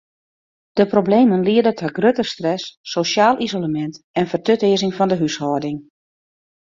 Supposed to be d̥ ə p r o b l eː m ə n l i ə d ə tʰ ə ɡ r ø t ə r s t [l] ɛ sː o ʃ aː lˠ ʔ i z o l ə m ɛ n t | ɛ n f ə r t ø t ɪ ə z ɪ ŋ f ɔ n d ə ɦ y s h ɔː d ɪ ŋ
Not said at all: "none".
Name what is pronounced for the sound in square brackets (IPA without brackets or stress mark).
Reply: r